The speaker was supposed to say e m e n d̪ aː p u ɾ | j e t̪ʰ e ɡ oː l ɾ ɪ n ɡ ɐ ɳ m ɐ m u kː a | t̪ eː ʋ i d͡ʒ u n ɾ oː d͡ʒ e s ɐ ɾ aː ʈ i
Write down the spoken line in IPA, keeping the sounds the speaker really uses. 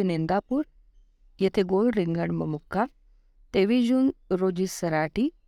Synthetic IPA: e n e n d̪ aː p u ɾ | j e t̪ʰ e ɡ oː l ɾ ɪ ŋ ɡ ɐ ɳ m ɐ m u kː a | t̪ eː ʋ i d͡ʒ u n ɾ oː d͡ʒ i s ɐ ɾ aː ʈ i